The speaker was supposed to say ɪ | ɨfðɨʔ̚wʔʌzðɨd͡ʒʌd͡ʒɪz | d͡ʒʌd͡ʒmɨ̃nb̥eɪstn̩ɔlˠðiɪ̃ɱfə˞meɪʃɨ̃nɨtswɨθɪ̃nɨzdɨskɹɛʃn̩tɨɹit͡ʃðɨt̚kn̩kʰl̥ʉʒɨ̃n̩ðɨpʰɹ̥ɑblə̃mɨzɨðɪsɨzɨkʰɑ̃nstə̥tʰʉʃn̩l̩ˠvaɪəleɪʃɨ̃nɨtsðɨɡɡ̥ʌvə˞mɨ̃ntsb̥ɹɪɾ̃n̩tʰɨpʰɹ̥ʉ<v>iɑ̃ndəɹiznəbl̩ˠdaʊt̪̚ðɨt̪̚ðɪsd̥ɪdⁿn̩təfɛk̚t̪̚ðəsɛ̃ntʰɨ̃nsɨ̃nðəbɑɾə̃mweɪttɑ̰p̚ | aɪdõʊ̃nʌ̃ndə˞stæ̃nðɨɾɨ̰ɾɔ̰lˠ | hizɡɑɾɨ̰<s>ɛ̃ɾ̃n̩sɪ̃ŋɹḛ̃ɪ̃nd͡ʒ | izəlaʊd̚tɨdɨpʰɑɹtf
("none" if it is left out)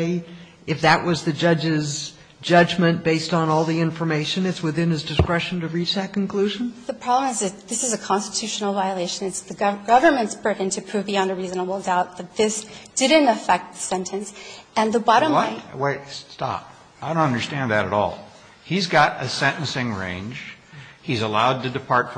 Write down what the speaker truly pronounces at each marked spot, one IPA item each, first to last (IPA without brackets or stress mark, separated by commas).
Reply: v, s